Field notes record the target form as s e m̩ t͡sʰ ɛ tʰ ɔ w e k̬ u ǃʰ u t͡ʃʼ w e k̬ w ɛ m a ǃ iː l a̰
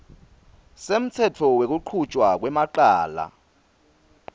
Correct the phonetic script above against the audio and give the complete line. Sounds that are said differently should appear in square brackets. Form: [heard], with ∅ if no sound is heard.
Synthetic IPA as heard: s e m̩ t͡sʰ ɛ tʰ ɔ w e k̬ u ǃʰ u t͡ʃʼ w [a] k̬ w ɛ m a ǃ [aː] l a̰